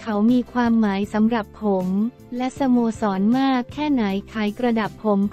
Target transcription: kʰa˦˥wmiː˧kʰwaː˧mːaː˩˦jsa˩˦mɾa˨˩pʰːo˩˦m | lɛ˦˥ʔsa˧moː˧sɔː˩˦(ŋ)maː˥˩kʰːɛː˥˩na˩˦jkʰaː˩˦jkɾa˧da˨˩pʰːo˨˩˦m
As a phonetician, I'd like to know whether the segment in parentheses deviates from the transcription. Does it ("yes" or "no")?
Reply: yes